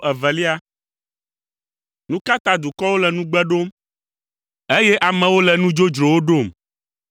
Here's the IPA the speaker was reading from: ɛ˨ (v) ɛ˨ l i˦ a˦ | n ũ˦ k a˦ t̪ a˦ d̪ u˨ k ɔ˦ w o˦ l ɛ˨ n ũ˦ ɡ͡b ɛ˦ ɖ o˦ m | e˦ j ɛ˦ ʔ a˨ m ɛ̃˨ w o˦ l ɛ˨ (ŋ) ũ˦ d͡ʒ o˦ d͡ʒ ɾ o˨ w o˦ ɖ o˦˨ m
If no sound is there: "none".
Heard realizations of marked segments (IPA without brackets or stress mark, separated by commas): v, n